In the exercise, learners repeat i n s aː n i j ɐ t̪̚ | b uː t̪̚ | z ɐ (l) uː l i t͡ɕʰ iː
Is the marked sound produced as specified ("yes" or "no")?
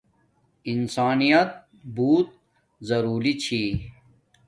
no